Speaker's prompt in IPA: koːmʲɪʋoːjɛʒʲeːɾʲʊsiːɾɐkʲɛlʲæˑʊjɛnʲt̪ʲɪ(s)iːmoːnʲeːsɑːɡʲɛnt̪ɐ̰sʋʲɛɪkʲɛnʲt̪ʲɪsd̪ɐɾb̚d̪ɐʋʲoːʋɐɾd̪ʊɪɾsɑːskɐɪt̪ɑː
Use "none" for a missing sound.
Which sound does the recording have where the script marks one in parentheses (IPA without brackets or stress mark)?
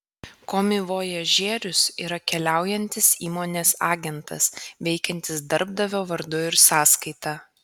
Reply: s